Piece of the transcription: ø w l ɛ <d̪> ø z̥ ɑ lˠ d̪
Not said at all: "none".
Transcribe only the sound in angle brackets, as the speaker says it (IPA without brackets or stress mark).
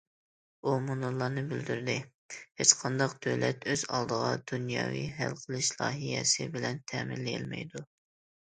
t̪